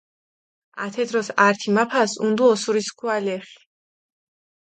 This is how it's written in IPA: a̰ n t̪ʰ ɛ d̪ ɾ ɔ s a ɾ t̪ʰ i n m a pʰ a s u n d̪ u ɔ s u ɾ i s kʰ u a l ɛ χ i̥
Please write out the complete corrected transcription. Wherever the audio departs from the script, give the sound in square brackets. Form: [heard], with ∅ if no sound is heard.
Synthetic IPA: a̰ [∅] t̪ʰ ɛ d̪ ɾ ɔ s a ɾ t̪ʰ i [∅] m a pʰ a s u n d̪ u ɔ s u ɾ i s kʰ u a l ɛ χ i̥